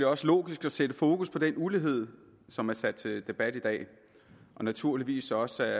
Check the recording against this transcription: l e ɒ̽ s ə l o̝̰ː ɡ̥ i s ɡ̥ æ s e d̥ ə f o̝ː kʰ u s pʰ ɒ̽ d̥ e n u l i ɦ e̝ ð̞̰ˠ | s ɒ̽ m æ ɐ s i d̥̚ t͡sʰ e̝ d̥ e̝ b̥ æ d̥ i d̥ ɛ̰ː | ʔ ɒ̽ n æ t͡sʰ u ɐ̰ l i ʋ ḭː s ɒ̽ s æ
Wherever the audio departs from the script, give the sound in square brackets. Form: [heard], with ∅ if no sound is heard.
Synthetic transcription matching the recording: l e ɒ̽ s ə l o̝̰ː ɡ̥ i s ɡ̥ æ s e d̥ ə f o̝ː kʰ u s pʰ ɒ̽ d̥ e n u l i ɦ e̝ ð̞̰ˠ | s ɒ̽ m æ ɐ s [æ] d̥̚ t͡sʰ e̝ d̥ e̝ b̥ æ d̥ i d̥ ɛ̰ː | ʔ ɒ̽ n æ t͡sʰ u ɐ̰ l i ʋ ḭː s ɒ̽ s æ

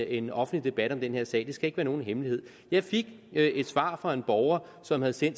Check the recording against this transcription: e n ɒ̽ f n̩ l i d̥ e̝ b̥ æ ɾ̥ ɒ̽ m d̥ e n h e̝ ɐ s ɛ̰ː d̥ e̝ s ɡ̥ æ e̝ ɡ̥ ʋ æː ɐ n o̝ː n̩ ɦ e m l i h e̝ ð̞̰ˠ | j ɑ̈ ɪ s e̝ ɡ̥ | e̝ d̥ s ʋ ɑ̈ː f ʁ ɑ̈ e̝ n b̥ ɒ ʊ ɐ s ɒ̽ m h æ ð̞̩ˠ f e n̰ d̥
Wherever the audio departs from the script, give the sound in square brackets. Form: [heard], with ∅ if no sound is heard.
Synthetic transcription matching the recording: e n ɒ̽ f n̩ l i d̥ e̝ b̥ æ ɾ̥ ɒ̽ m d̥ e n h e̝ ɐ s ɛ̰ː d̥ e̝ s ɡ̥ æ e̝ ɡ̥ ʋ æː ɐ n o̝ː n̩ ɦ e m l i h e̝ ð̞̰ˠ | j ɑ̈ ɪ [f] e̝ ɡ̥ | e̝ d̥ s ʋ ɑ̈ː f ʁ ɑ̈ e̝ n b̥ ɒ ʊ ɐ s ɒ̽ m h æ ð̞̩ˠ [s] e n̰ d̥

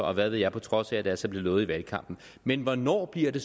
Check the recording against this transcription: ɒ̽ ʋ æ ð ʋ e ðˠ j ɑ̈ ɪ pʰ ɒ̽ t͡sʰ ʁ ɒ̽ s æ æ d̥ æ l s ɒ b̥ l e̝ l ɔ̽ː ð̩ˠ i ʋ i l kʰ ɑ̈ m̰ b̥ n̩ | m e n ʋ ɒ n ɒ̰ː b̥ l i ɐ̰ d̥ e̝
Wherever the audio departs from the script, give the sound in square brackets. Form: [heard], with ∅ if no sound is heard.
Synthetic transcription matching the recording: ɒ̽ ʋ æ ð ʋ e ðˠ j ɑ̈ ɪ pʰ ɒ̽ t͡sʰ ʁ ɒ̽ s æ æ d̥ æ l s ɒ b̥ l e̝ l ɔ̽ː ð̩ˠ i ʋ [æ] l kʰ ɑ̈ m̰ b̥ n̩ | m e n ʋ ɒ n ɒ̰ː b̥ l i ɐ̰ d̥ e̝

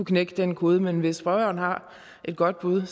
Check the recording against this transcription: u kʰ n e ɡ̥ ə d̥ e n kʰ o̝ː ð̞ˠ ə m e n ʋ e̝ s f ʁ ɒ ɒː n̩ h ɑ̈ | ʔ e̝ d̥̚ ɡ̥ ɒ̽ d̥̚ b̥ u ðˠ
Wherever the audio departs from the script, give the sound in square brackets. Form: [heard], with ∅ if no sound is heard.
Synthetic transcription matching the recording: u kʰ n e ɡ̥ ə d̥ e n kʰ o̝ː ð̞ˠ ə m e n ʋ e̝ s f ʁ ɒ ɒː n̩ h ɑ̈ | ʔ e̝ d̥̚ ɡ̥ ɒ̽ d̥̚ b̥ u ðˠ

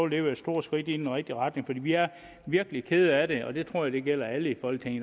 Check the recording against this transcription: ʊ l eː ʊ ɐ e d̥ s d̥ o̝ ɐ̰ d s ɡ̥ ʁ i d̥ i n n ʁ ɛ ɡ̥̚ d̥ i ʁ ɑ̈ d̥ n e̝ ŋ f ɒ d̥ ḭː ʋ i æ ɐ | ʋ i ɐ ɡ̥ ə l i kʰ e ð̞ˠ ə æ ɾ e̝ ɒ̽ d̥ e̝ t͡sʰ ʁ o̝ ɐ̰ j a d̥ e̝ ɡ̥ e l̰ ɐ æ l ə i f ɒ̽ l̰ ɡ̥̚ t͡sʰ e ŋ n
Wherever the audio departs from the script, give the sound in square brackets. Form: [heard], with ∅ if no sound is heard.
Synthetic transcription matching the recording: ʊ l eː ʊ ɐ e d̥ s d̥ o̝ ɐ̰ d s ɡ̥ ʁ i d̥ i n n ʁ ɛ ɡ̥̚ d̥ i ʁ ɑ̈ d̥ n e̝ ŋ f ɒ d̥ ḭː ʋ i æ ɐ | ʋ i ɐ ɡ̥ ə l i kʰ e ð̞ˠ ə æ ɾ e̝ ɒ̽ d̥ e̝ t͡sʰ ʁ o̝ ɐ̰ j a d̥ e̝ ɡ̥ e l̰ ɐ æ l ə i f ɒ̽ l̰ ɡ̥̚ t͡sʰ e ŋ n

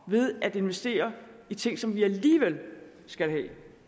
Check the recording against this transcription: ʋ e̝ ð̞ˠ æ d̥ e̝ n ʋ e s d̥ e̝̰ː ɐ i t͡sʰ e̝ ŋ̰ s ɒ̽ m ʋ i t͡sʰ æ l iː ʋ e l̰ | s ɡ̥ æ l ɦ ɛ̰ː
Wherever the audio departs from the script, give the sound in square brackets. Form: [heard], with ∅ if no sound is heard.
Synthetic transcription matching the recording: ʋ e̝ ð̞ˠ æ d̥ e̝ n ʋ e s d̥ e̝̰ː ɐ i t͡sʰ e̝ ŋ̰ s ɒ̽ m ʋ i [∅] æ l iː ʋ e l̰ | s ɡ̥ æ l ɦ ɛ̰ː

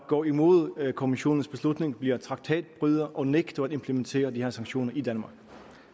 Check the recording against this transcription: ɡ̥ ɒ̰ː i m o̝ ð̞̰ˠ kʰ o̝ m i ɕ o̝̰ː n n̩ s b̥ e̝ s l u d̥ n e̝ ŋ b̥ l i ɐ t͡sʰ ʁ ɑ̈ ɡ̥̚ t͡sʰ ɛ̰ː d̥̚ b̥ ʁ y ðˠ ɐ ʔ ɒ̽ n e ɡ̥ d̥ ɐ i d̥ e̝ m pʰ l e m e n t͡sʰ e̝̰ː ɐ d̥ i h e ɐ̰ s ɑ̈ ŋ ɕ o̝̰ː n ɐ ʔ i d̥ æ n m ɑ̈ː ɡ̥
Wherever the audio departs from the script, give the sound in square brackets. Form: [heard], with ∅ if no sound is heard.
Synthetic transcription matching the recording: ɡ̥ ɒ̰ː i m o̝ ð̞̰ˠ kʰ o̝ m i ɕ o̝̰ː n n̩ s b̥ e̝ s l u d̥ n e̝ ŋ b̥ l i ɐ t͡sʰ ʁ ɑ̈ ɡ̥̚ t͡sʰ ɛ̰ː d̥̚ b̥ ʁ y ðˠ ɐ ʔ ɒ̽ n e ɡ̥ d̥ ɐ [æ] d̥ e̝ m pʰ l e m e n t͡sʰ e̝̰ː ɐ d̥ i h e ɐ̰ s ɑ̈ ŋ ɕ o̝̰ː n ɐ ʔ i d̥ æ n m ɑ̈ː ɡ̥

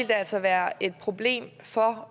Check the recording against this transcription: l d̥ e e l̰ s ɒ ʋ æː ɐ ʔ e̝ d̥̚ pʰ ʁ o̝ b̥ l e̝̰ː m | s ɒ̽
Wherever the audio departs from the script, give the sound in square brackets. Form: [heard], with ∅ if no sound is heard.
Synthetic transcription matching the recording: l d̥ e [æ] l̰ s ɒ ʋ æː ɐ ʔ e̝ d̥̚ pʰ ʁ o̝ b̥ l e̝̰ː m | [f] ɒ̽

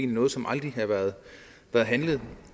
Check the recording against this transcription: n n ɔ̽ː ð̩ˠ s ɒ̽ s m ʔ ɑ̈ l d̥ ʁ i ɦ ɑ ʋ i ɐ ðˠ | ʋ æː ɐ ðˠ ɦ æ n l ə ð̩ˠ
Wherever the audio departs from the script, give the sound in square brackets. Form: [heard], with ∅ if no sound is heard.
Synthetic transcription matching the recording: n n ɔ̽ː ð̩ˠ s ɒ̽ [∅] m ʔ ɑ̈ l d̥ ʁ i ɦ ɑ ʋ [æ] ɐ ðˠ | ʋ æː ɐ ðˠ ɦ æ n l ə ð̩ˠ

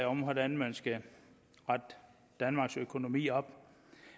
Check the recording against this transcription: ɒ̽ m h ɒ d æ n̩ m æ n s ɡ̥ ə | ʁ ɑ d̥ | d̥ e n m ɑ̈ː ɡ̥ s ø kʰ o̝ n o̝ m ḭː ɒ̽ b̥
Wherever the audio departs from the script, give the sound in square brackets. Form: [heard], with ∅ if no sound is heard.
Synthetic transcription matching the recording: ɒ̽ m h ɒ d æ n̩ m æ n s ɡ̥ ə | ʁ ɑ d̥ | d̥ [æ] n m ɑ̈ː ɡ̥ s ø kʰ o̝ n o̝ m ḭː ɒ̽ b̥

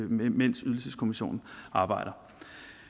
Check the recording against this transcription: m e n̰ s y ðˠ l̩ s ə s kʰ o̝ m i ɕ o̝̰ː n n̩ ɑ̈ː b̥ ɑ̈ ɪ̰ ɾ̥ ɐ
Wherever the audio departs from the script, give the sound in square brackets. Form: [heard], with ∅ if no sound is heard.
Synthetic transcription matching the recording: m e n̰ s y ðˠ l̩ s ə s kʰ o̝ m i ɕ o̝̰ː n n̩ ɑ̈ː b̥ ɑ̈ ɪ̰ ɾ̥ ɐ

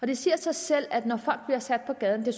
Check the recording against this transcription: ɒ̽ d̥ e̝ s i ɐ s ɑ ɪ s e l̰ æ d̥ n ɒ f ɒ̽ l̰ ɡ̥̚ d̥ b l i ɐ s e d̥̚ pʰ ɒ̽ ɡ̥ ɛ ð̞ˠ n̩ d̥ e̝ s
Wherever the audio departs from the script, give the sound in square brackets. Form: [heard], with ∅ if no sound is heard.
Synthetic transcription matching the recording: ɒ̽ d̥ e̝ s i ɐ s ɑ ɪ s e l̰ æ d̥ n ɒ f ɒ̽ l̰ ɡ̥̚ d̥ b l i ɐ s [æ] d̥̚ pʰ ɒ̽ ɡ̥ ɛ ð̞ˠ n̩ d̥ e̝ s

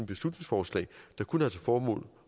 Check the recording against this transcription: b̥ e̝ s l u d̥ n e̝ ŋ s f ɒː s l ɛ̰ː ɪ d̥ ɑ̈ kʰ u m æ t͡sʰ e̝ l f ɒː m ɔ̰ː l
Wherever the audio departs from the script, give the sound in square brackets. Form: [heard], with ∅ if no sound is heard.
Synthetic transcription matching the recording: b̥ e̝ s l u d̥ n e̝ ŋ s f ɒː s l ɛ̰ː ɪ d̥ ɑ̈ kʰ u [n] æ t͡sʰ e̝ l f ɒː m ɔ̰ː l

